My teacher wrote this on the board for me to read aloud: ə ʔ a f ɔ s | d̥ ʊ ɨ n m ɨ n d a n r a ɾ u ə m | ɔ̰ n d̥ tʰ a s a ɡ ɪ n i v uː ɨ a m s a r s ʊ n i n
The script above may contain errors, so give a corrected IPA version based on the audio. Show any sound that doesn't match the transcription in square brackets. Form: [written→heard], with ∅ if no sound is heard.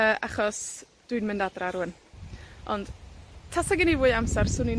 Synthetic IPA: ə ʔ a [f→χ] ɔ s | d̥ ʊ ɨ n m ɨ n d a [n→d] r a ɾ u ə [m→n] | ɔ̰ n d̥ tʰ a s a ɡ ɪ n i v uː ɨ a m s a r s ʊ n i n